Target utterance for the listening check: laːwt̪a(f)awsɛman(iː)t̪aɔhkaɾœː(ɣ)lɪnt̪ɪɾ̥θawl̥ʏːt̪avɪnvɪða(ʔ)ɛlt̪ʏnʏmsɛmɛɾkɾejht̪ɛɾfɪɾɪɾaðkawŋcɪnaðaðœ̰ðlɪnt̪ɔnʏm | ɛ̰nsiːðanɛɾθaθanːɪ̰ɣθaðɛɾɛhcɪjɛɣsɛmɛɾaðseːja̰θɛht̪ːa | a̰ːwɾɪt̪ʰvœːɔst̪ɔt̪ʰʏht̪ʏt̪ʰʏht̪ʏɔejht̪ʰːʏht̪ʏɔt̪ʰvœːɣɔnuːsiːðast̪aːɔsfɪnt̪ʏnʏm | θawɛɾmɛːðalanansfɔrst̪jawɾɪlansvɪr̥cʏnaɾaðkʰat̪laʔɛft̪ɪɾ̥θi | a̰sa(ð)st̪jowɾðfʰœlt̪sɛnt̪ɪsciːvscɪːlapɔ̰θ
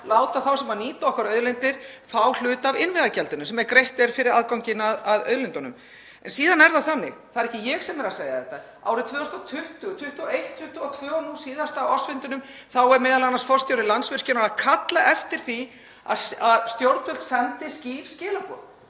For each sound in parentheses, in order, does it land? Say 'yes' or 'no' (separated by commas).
no, yes, no, no, yes